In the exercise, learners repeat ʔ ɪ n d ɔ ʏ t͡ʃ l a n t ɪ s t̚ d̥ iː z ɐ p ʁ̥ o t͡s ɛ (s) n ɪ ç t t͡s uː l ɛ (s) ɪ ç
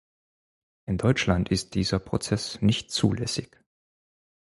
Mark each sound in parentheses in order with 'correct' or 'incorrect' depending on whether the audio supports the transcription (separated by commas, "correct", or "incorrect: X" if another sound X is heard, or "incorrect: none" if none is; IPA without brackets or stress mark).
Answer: correct, correct